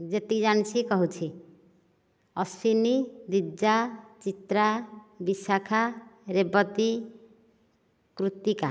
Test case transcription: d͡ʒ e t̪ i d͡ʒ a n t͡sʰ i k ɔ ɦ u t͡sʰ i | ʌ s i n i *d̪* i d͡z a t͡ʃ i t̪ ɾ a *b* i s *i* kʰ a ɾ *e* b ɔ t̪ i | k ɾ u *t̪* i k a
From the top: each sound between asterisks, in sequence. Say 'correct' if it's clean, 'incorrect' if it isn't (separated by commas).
correct, correct, incorrect, correct, correct